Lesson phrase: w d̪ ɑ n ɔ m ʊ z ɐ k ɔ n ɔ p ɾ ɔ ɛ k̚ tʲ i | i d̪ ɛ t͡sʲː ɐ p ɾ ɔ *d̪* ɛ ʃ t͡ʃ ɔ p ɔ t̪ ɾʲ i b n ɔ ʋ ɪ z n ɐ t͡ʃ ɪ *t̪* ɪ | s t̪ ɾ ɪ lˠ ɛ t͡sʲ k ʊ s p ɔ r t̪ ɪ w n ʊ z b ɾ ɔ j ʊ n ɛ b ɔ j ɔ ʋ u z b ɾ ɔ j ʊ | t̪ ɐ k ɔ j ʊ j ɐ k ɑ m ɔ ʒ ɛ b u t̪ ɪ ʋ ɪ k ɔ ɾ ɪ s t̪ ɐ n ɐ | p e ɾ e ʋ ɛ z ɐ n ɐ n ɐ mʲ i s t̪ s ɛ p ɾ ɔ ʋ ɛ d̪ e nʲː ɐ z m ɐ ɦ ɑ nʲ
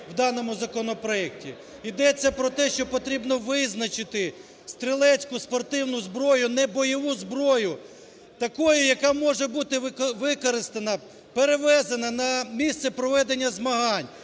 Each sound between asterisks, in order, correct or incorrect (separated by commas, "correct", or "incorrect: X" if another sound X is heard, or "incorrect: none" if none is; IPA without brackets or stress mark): incorrect: t̪, correct